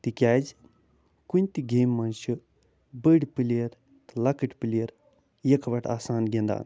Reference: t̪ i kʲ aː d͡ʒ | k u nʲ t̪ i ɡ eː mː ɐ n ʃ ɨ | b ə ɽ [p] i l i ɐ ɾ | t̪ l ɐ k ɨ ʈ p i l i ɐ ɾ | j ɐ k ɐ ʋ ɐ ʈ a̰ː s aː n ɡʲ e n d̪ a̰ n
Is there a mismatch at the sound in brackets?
no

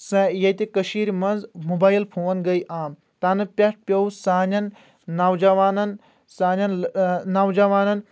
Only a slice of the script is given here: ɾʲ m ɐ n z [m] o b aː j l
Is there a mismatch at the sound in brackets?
no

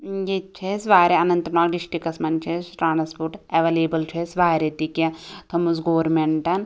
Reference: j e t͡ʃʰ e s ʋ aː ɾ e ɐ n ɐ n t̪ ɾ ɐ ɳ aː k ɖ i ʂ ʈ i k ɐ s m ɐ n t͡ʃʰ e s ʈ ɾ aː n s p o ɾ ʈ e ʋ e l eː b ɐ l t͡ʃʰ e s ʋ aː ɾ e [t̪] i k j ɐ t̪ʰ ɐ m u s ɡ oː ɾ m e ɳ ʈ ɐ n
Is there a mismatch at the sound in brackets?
no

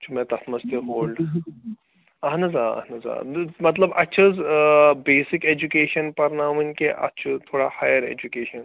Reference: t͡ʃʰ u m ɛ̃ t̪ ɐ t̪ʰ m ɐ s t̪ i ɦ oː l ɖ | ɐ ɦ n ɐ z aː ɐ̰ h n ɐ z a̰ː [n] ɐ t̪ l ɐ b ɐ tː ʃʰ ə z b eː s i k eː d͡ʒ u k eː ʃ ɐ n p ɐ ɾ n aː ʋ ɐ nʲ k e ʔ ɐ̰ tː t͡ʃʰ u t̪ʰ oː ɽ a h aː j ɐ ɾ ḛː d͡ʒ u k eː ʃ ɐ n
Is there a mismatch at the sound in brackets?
yes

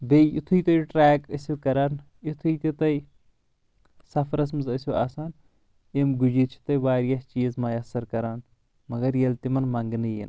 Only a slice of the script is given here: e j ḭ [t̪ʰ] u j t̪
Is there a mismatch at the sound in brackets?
no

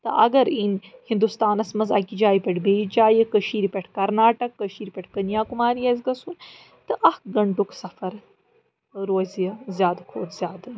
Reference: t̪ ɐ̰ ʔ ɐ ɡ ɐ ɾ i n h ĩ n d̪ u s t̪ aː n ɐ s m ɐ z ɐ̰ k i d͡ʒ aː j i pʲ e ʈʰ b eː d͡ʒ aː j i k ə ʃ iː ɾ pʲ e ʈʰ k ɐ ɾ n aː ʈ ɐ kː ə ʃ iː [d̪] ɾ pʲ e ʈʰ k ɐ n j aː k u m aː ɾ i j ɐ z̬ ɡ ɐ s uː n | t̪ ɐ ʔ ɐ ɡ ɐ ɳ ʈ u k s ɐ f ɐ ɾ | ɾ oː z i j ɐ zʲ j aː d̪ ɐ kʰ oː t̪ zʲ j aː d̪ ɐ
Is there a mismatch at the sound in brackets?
yes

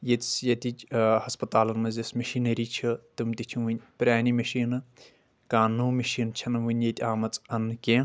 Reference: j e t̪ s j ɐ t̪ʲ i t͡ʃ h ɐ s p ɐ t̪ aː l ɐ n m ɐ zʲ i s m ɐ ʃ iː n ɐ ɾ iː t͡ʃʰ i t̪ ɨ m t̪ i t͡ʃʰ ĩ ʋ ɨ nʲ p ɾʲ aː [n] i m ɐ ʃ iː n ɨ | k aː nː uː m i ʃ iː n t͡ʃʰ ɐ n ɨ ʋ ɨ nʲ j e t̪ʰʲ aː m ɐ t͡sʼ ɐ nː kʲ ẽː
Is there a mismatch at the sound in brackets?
no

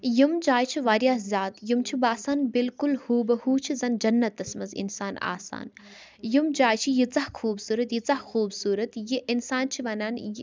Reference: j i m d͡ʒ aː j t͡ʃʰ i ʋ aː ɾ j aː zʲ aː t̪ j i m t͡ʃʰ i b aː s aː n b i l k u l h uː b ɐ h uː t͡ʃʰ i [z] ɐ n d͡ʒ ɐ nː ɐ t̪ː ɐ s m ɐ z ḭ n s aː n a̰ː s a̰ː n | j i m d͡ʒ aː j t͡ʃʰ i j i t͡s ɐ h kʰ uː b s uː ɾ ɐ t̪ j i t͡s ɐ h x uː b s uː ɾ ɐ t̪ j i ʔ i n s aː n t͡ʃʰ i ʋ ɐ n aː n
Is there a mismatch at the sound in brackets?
no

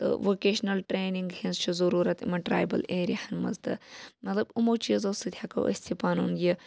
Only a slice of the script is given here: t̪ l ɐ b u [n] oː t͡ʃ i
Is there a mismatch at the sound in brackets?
yes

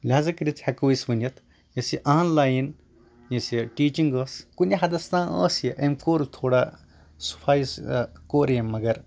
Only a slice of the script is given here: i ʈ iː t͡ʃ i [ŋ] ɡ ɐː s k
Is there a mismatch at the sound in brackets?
no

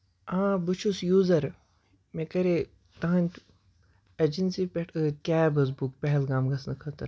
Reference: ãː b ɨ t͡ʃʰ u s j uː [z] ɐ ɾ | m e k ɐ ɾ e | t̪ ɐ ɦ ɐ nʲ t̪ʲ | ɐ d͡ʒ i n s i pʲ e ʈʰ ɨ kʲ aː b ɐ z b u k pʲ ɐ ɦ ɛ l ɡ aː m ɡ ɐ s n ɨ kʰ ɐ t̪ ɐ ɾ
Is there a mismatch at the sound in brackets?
no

